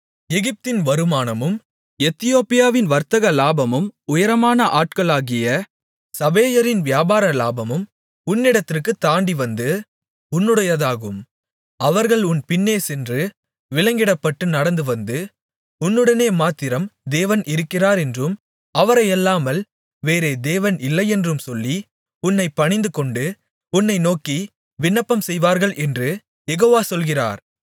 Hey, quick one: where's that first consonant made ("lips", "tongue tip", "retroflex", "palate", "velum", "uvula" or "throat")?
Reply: velum